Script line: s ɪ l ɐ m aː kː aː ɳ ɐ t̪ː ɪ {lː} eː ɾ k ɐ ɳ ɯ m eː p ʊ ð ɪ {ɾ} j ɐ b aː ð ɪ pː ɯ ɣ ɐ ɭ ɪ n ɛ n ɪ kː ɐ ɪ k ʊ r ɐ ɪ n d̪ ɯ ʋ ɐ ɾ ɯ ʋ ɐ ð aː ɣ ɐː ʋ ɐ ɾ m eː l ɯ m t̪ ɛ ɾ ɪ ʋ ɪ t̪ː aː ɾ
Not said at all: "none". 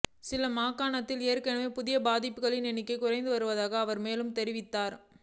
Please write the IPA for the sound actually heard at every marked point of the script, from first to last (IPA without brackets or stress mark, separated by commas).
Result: l, none